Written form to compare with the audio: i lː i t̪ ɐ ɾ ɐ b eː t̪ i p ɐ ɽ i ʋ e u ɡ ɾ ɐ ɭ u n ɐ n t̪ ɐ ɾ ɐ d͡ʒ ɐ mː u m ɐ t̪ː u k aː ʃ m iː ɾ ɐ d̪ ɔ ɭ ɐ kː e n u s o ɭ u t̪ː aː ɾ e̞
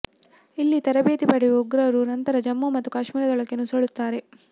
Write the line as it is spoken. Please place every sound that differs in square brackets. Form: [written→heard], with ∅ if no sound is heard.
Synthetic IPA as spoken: i lː i t̪ ɐ ɾ ɐ b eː t̪ i p ɐ ɽ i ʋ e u ɡ ɾ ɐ [ɭ→ɾ] u n ɐ n t̪ ɐ ɾ ɐ d͡ʒ ɐ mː u m ɐ t̪ː u k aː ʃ m iː ɾ ɐ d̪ ɔ ɭ ɐ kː e n u s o ɭ u t̪ː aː ɾ e̞